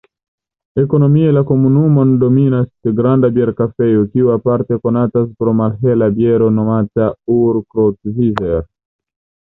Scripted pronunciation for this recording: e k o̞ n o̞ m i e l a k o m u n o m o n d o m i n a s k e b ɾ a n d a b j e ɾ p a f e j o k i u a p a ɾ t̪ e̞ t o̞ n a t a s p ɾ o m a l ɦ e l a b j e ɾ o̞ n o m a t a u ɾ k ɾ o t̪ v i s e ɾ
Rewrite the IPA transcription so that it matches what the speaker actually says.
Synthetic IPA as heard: e k o̞ n o̞ m i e l a k o m u n u m o n d o m i n a s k e ɡ ɾ a n d a b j e ɾ k a f e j o k i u a p a ɾ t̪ e̞ k o̞ n a t a s p ɾ o m a l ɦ e l a b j e ɾ o̞ n o m a t a u ɾ k ɾ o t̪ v i z e ɾ